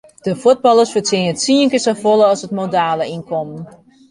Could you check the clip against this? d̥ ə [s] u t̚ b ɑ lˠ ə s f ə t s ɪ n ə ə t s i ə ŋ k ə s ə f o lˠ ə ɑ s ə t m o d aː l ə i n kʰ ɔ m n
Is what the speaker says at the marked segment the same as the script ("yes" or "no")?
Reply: no